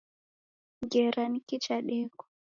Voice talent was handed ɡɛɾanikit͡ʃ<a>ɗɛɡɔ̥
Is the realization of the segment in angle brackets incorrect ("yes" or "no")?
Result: no